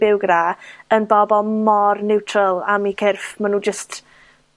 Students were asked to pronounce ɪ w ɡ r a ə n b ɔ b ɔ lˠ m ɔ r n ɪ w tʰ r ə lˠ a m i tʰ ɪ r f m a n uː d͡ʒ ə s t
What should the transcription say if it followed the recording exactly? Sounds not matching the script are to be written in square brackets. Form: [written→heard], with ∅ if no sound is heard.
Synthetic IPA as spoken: ɪ w ɡ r a ə n b ɔ b ɔ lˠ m ɔ r n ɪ w tʰ r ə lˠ a m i [tʰ→kʰ] ɪ r f m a n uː d͡ʒ ə s t